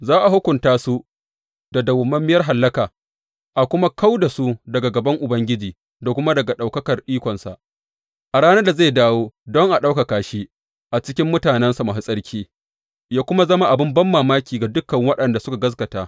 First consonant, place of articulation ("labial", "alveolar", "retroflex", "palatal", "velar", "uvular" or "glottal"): alveolar